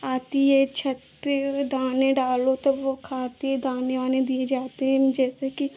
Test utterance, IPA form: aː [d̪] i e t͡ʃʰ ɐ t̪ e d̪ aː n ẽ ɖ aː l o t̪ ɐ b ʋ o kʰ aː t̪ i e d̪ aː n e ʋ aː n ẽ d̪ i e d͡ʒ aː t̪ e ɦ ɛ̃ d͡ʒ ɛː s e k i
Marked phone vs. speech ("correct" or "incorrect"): incorrect